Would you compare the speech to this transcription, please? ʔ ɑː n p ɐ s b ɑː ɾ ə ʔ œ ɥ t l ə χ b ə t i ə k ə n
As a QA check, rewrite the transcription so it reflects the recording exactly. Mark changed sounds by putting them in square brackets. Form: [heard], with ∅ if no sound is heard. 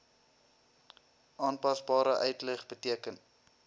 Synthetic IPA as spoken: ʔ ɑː n p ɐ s b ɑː ɾ ə ʔ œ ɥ t l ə χ b ə t i ə k ə n